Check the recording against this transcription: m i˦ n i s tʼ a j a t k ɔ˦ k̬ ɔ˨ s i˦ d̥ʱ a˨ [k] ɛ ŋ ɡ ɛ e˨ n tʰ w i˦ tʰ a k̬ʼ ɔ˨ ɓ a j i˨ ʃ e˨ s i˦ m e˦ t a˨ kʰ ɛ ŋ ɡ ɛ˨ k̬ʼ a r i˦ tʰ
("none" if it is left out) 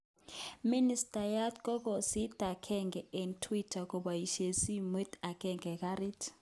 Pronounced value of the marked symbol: kʰ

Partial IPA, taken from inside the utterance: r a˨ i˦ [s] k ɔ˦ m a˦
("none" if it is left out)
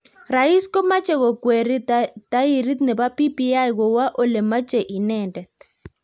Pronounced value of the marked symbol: s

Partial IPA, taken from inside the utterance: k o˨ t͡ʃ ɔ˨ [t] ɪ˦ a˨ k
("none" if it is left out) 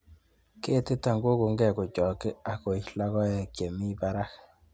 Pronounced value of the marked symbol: k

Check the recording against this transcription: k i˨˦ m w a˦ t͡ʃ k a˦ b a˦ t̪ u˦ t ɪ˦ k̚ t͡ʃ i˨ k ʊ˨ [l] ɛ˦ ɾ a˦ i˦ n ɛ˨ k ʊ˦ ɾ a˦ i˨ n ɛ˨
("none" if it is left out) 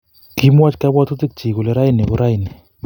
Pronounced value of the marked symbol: l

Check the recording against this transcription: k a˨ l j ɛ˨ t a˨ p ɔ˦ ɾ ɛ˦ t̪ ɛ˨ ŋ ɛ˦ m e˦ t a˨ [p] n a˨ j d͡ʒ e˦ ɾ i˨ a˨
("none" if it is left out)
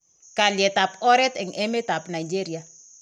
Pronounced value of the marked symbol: p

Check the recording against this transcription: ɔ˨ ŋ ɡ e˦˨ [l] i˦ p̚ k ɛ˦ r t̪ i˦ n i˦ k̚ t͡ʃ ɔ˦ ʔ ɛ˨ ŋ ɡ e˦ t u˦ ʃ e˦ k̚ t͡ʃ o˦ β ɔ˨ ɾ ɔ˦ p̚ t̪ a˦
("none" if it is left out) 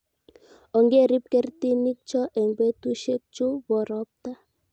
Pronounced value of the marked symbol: ɾ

